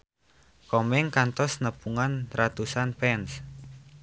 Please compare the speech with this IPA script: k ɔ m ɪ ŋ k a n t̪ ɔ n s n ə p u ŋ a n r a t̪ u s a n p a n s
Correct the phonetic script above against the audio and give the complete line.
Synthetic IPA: k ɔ m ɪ ŋ k a n t̪ ɔ s n ə p u ŋ a n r a t̪ u s a n p ɛ n s